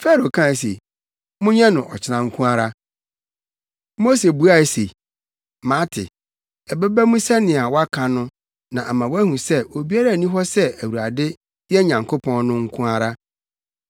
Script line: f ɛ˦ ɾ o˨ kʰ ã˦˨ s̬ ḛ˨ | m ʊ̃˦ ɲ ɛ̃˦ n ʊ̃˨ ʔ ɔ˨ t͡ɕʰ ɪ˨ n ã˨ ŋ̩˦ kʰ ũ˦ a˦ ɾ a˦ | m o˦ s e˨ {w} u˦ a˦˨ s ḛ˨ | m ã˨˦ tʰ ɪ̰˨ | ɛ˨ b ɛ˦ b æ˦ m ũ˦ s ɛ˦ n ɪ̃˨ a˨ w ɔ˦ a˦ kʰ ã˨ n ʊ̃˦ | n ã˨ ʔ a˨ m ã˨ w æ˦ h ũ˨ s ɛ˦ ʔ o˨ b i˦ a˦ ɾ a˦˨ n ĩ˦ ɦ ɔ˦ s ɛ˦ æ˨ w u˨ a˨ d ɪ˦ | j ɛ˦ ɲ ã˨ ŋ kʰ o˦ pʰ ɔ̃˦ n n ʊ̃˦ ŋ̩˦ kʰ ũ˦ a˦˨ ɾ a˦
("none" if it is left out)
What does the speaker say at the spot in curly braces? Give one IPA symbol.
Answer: b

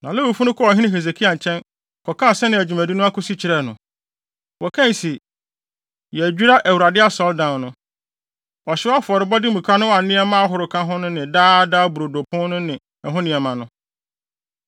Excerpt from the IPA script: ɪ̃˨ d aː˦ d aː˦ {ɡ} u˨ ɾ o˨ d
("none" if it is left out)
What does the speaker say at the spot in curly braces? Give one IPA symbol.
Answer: b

